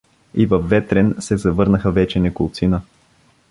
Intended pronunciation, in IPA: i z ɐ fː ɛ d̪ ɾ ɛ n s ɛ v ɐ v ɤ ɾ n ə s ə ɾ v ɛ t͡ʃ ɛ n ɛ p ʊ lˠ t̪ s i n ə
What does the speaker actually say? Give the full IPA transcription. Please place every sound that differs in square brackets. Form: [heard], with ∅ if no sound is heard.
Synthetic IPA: i [v] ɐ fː ɛ [t̪] ɾ ɛ n s ɛ [z] ɐ v ɤ ɾ n ə [x] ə [∅] v ɛ t͡ʃ ɛ n ɛ [k] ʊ lˠ t̪ s i n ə